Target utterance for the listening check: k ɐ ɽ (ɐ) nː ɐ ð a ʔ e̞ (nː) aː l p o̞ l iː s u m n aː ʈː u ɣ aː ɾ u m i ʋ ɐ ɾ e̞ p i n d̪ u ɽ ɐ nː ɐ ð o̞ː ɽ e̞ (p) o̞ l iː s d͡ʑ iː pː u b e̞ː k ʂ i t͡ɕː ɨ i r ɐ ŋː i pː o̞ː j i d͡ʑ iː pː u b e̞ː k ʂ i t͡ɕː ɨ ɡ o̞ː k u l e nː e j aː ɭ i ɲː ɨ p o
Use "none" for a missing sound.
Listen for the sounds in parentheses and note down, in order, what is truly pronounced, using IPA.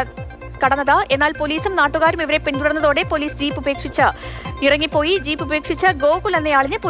ɐ, nː, p

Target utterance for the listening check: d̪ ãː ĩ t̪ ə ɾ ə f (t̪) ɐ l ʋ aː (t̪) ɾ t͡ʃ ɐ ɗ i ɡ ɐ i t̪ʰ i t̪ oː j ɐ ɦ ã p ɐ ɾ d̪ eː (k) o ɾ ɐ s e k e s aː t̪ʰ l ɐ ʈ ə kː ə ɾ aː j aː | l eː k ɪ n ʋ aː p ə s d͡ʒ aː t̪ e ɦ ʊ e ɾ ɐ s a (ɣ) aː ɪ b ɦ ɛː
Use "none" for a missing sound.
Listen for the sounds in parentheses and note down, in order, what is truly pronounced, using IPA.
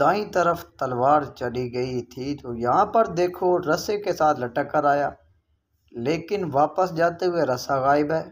t̪, none, kʰ, ɣ

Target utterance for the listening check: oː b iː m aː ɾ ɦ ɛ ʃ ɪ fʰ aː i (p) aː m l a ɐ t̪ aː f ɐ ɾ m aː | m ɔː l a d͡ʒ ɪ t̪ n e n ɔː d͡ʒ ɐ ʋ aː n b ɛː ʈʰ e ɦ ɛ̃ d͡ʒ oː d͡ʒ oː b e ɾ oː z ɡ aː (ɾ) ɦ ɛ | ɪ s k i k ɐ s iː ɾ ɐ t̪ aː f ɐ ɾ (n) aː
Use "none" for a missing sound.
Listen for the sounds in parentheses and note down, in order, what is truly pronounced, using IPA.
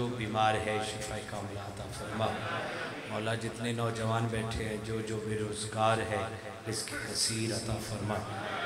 k, ɾ, m

